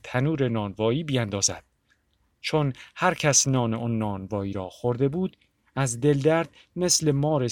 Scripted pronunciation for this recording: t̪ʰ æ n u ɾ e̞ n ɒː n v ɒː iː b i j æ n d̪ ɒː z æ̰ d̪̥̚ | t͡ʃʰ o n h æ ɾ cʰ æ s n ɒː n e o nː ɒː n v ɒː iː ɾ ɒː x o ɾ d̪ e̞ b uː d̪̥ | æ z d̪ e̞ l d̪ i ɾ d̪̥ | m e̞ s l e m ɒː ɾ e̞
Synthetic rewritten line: t̪ʰ æ n uː ɾ e̞ n ɒː n v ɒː iː b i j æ n d̪ ɒː z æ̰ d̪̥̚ | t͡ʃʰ o n h æ ɾ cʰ æ s n ɒː n e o nː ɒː n v ɒː iː ɾ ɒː x o ɾ d̪ e̞ b uː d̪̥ | æ z d̪ e̞ l d̪ æ ɾ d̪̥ | m e̞ s l e m ɒː ɾ e̞